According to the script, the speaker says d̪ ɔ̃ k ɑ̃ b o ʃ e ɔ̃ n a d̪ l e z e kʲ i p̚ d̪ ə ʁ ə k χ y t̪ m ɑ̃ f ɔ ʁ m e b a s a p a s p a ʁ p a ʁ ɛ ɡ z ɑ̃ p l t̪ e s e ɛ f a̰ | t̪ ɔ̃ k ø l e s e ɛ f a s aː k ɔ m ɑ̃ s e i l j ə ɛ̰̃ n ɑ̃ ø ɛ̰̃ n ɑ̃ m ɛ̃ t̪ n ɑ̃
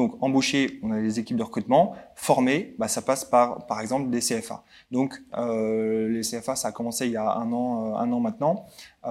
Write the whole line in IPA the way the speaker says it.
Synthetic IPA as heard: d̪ ɔ̃ k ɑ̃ b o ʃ e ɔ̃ n a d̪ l e z e kʲ i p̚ d̪ ə ʁ ə k χ y t̪ m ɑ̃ f ɔ ʁ m e b a s a p a s p a ʁ p a ʁ ɛ ɡ z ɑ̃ p l d̪ e s e ɛ f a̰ | d̪ ɔ̃ k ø l e s e ɛ f a s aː k ɔ m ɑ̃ s e i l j a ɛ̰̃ n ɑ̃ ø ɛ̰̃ n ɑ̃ m ɛ̃ t̪ n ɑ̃